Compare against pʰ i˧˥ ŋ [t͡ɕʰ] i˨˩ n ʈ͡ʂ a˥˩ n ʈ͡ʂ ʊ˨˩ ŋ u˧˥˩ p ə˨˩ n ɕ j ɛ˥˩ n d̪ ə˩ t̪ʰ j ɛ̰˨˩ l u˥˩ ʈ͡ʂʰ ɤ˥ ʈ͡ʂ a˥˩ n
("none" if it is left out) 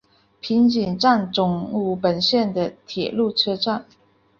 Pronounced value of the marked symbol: t͡ɕ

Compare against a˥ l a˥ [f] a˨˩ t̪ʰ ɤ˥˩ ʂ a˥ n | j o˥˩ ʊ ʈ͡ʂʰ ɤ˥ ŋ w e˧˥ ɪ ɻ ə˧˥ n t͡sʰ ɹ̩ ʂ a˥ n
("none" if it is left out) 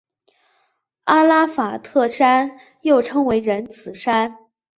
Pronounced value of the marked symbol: f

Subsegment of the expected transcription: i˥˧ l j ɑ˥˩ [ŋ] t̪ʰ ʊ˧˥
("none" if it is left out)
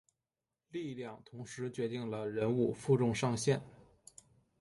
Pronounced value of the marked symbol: ŋ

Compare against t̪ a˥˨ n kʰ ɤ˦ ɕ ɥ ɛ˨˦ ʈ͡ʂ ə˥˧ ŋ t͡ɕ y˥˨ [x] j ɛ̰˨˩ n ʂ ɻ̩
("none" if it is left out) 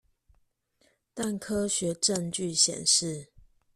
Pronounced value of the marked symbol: ɕ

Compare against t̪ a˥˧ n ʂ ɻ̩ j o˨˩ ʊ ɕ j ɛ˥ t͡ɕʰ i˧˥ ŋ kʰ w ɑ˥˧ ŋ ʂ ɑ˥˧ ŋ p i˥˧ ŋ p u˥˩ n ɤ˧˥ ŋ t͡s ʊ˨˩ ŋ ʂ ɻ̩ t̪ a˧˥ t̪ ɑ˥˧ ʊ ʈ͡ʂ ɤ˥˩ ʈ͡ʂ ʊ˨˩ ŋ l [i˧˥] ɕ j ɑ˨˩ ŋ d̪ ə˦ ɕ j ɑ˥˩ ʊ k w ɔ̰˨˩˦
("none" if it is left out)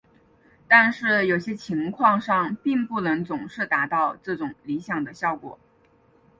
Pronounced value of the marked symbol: i˧˥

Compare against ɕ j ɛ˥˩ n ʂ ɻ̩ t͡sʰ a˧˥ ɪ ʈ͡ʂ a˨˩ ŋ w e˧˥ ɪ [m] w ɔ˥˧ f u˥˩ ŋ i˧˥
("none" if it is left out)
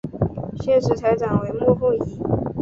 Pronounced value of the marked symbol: m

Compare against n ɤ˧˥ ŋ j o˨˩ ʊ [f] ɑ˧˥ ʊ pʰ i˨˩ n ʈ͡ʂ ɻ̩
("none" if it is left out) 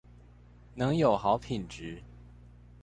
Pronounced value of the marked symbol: x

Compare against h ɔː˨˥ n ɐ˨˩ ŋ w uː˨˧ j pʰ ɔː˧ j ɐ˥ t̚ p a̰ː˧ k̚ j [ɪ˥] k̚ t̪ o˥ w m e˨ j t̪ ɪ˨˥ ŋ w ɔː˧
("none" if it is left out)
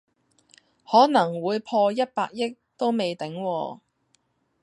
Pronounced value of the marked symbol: ɪ˥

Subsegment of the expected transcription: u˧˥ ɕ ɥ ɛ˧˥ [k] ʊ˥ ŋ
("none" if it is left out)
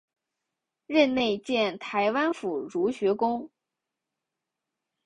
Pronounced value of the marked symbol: k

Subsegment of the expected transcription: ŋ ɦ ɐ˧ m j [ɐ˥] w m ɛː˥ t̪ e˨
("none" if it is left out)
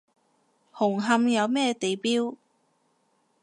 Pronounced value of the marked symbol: ɐ˨˧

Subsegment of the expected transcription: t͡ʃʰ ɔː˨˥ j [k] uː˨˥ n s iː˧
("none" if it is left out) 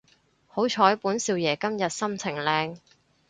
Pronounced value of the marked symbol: p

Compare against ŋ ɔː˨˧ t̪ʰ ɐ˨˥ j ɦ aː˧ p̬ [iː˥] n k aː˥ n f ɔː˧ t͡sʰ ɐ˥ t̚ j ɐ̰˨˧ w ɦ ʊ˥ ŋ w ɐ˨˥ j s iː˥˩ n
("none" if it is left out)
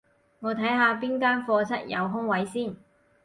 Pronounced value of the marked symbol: iː˥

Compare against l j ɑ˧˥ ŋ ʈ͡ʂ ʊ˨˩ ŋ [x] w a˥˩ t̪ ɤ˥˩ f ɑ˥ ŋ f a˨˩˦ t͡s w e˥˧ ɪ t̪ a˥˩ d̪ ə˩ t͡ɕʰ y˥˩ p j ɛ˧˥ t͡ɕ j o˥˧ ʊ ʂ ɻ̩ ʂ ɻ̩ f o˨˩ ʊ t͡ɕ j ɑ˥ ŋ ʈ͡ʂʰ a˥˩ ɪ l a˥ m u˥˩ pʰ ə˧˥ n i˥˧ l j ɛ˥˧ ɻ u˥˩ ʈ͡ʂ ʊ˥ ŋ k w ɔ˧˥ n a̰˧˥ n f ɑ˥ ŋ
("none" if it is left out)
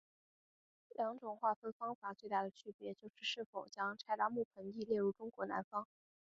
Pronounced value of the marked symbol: x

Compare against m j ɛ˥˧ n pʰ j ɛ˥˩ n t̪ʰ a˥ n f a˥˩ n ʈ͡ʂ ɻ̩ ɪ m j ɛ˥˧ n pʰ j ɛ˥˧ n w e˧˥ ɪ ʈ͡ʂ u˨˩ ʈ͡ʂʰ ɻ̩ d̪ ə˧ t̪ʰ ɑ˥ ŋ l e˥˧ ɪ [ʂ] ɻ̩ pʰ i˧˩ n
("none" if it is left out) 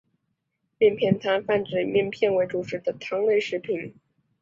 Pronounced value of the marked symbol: ʂ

